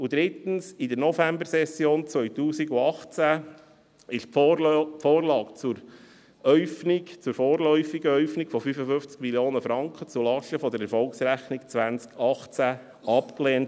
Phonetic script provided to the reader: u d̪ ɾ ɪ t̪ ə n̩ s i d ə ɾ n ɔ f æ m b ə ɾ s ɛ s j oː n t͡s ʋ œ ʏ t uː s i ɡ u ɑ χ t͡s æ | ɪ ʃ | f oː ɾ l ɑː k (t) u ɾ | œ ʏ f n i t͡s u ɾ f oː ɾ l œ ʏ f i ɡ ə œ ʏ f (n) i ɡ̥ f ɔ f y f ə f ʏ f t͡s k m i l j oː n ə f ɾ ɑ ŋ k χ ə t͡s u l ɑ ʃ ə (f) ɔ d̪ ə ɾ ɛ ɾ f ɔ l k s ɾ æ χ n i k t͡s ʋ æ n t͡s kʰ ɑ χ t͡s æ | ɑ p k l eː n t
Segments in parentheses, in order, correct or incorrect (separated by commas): incorrect, correct, correct